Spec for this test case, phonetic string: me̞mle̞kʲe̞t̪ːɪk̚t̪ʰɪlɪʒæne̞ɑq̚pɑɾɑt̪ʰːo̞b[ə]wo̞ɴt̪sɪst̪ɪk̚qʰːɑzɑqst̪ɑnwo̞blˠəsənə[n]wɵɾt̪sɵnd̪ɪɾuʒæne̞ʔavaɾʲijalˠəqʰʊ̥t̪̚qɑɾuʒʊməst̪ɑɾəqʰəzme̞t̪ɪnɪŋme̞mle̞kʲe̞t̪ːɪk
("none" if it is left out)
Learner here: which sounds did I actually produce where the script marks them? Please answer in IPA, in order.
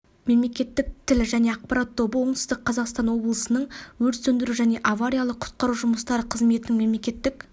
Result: ə, ɴ

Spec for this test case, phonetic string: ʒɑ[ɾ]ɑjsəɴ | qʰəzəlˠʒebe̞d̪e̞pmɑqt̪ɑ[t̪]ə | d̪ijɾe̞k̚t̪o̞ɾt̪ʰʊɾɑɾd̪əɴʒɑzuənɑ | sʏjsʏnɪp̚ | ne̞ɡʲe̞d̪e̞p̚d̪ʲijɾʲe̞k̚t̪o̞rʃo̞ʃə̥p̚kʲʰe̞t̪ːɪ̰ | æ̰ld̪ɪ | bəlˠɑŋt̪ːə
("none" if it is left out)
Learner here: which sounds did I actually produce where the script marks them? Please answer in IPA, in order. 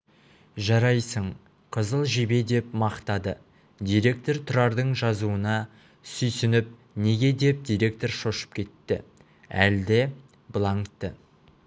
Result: ɾ, d̪

